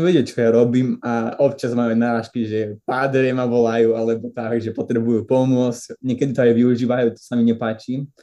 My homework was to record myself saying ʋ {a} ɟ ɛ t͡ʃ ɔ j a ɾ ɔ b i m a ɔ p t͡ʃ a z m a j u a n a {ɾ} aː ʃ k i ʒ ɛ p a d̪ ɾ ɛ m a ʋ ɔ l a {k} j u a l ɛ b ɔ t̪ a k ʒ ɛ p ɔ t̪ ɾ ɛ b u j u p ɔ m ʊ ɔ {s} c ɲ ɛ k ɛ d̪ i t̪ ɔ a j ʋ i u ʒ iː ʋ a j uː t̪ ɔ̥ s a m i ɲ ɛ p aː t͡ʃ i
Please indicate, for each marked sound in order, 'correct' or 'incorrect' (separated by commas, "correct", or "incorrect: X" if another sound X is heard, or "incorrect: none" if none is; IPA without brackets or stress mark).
incorrect: ɛ, correct, incorrect: none, incorrect: t͡s